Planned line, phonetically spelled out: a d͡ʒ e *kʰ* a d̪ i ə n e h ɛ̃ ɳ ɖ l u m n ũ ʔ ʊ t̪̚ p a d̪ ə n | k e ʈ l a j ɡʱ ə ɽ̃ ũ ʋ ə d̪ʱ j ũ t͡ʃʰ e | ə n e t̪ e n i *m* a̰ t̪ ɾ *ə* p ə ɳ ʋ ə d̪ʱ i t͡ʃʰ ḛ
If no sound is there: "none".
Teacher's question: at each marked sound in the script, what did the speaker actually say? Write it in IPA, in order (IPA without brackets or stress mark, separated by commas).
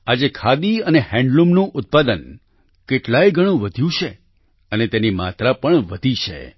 kʰ, m, a